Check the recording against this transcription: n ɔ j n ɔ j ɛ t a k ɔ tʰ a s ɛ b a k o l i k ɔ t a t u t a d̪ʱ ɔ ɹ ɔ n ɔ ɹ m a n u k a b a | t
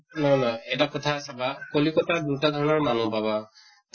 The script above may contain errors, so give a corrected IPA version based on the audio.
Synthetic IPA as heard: n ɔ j n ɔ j ɛ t a k ɔ tʰ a s a b a k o l i k ɔ t a d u t a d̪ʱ ɔ ɹ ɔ n ɔ ɹ m a n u p a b a | t